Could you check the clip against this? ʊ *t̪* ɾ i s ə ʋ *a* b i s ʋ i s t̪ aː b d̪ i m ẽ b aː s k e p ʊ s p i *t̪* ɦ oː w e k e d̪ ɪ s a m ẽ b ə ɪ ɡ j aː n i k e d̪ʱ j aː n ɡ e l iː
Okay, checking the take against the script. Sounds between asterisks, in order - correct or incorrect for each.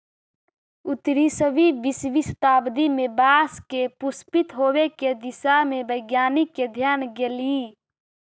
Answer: correct, incorrect: i, correct

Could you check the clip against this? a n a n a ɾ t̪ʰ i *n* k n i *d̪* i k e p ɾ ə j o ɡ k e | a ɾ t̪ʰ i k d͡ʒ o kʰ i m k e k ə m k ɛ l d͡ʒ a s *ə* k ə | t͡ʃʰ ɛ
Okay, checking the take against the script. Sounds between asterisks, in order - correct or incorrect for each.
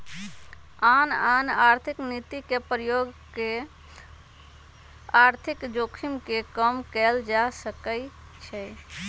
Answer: incorrect: none, incorrect: t̪, correct

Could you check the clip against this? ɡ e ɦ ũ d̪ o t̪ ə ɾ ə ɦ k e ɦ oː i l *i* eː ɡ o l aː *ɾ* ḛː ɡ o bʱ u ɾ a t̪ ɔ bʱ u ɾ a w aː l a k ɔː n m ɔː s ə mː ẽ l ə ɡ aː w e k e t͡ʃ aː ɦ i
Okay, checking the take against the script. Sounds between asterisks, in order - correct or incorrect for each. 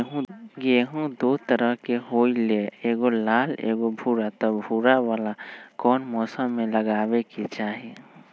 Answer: incorrect: e, incorrect: l

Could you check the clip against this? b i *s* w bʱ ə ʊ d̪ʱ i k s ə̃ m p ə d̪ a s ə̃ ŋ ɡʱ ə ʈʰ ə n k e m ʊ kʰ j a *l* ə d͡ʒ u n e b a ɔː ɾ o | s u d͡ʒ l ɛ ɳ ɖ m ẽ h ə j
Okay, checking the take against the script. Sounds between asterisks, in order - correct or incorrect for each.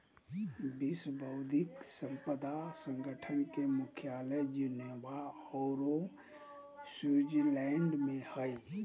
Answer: correct, correct

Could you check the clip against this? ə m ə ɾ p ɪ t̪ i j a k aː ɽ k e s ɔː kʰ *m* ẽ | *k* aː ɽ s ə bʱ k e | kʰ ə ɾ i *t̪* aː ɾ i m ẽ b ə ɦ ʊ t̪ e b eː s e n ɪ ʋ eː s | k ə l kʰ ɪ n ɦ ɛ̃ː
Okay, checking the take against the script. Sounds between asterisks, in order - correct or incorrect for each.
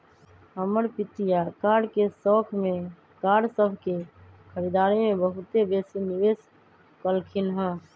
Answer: correct, correct, incorrect: d̪

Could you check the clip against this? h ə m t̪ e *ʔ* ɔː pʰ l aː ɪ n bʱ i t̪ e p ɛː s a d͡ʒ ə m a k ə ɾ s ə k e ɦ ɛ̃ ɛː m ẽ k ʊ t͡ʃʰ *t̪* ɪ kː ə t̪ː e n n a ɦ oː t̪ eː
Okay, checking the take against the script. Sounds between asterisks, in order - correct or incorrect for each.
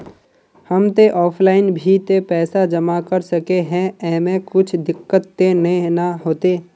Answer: correct, incorrect: d̪

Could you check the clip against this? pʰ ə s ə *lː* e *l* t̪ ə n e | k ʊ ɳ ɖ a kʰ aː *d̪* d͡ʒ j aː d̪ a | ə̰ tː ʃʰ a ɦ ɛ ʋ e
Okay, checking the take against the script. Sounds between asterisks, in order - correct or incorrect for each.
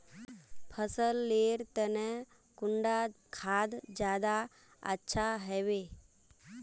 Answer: correct, incorrect: ɾ, correct

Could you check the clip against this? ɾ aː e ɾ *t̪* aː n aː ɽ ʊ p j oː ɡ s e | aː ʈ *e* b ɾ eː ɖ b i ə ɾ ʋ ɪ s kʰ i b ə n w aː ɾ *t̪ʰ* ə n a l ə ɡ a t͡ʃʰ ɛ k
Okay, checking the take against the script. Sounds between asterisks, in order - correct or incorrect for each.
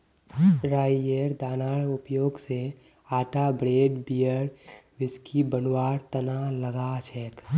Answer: incorrect: d̪, incorrect: a, incorrect: t̪

